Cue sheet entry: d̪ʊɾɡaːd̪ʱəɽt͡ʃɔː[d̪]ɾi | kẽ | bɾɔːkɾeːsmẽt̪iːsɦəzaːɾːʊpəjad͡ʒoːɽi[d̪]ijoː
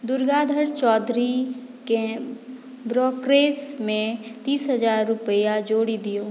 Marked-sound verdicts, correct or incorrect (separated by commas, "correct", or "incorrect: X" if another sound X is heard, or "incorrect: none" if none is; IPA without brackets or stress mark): correct, correct